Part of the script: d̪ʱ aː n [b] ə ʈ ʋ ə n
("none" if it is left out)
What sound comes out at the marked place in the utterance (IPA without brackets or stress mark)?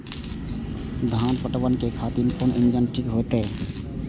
p